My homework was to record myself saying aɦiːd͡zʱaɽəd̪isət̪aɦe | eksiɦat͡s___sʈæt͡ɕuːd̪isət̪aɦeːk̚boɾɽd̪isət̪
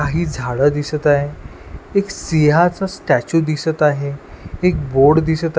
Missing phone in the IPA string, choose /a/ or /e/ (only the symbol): a